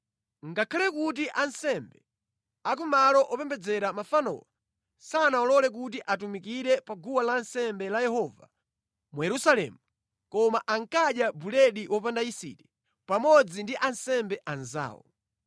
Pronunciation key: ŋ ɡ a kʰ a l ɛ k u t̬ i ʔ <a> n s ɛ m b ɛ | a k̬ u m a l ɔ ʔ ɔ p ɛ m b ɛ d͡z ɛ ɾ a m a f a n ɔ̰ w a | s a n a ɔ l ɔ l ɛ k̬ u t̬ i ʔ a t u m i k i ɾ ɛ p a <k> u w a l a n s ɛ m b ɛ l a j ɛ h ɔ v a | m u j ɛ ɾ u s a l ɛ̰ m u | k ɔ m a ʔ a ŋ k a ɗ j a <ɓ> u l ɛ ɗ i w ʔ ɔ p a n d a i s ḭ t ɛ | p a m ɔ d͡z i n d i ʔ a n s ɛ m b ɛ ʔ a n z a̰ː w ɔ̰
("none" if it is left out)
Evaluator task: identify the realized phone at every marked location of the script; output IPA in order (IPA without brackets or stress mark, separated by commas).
a, ɡ, b